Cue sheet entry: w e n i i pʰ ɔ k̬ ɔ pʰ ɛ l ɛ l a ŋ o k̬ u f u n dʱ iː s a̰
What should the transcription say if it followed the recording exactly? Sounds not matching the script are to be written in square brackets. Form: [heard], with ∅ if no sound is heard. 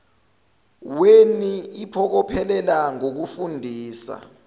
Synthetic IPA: w e n i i pʰ ɔ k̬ ɔ pʰ ɛ l ɛ l a ŋ o k̬ u f u n dʱ iː s a̰

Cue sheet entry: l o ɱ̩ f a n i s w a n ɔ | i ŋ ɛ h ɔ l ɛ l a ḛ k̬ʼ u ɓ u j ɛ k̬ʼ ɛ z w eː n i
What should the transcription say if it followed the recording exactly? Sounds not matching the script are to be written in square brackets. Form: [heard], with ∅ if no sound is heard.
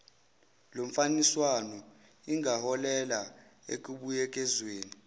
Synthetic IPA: l o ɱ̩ f a n i s w a n ɔ | i ŋ [a] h ɔ l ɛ l a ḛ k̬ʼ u ɓ u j ɛ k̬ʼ ɛ z w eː n i

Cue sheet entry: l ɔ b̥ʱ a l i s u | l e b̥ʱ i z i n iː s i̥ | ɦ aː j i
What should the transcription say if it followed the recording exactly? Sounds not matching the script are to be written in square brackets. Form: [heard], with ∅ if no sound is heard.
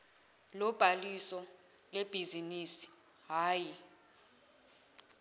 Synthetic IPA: l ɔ b̥ʱ a l i s [ɔ] | l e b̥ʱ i z i n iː s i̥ | ɦ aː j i

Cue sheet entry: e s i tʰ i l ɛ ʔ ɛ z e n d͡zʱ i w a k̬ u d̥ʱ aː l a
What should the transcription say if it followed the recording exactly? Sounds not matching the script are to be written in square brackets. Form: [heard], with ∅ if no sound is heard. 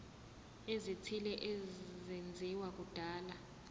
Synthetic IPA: e [z] i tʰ i l ɛ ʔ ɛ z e n d͡zʱ i w a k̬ u d̥ʱ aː l a

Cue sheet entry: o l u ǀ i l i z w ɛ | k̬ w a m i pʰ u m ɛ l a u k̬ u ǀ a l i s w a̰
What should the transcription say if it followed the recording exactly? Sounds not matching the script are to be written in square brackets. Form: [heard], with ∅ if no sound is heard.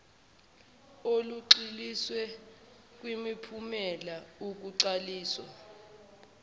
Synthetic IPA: o l u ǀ i l i [s] w ɛ | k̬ w [i] m i pʰ u m ɛ l a u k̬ u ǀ a l [iː] s w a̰

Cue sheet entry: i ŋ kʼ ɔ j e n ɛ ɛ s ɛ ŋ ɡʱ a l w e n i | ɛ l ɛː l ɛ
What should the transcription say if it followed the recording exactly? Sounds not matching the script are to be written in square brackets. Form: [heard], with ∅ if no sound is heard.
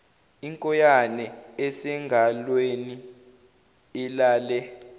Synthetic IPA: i ŋ kʼ ɔ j [a] n ɛ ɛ s ɛ ŋ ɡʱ a l w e n i | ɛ l [aː] l ɛ

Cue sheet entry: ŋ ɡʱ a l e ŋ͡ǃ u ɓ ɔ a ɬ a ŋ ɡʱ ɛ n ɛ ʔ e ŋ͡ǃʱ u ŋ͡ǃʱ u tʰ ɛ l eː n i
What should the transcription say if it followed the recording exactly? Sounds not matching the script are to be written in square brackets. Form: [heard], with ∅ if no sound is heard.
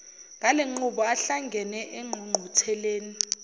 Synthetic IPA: ŋ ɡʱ a l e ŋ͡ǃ u ɓ ɔ a ɬ a ŋ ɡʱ ɛ n ɛ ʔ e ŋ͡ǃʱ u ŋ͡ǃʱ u tʰ ɛ l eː n i

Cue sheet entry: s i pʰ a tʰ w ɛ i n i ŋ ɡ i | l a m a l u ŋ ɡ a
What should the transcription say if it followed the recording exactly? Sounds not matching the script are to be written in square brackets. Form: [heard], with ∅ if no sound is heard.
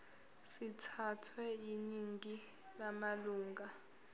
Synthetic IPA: s i [tʰ] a tʰ w ɛ i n i ŋ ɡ i | l a m a l [uː] ŋ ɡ a

